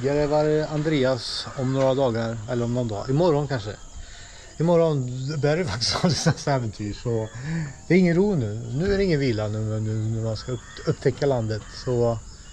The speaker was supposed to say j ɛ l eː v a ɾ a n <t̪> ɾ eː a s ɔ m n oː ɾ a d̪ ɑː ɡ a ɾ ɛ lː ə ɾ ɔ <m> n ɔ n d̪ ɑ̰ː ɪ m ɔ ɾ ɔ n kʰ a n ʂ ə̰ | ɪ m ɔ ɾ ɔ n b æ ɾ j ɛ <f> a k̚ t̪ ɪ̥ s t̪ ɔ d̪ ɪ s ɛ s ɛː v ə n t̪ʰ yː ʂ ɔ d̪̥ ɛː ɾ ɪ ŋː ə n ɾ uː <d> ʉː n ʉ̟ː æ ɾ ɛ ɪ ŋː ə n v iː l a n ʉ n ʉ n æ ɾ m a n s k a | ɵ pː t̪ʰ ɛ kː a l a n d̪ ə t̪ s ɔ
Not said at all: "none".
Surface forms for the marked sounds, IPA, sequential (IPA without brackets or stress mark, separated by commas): d̪, m, f, n